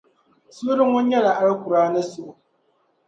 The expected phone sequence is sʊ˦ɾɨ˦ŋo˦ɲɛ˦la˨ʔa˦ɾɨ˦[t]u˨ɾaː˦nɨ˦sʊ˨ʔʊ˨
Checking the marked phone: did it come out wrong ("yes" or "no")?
yes